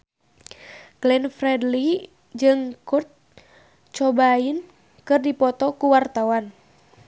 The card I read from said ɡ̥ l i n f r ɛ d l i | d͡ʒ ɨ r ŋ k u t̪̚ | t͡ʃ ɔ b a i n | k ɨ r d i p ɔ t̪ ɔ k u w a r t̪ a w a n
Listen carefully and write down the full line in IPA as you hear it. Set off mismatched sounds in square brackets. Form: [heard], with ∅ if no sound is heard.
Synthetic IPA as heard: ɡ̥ l [ɛ] n f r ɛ d l i | d͡ʒ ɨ [∅] ŋ k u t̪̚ | t͡ʃ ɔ b a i n | k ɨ r d i p ɔ t̪ ɔ k u w a r t̪ a w a n